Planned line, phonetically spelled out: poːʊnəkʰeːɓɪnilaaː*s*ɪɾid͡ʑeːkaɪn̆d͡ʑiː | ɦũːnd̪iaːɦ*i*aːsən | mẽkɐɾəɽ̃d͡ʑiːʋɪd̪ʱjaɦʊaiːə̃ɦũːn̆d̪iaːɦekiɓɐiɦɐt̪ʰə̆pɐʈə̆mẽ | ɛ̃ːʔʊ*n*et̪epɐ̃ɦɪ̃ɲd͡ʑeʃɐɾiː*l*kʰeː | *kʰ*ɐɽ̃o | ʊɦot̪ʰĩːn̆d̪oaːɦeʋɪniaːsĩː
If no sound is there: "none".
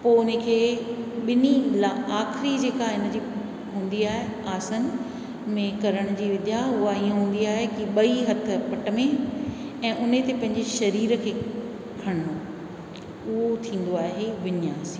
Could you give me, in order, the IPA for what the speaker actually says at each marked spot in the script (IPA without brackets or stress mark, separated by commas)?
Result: x, e, n, ɾ, kʰ